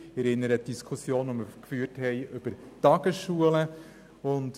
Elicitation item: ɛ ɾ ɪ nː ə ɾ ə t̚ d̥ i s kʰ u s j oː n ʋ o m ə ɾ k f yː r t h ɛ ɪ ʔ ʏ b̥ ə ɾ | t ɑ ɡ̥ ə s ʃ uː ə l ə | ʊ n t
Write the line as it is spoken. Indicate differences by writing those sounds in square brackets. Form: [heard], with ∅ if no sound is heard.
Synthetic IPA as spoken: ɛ ɾ ɪ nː ə ɾ ə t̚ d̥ i s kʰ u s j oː n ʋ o m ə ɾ k f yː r t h ɛ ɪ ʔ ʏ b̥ ə ɾ | t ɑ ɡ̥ ə s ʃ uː ə l ə | ʊ n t